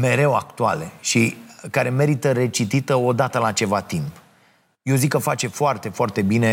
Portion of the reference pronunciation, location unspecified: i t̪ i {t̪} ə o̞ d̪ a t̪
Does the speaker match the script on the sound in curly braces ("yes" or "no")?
yes